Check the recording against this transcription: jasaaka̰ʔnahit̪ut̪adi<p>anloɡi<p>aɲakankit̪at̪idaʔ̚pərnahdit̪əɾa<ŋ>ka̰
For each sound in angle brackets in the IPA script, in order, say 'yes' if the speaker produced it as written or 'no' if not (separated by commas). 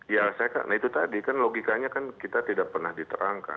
no, no, yes